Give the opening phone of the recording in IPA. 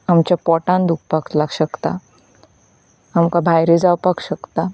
a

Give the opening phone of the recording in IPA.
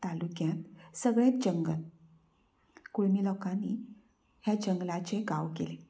t̪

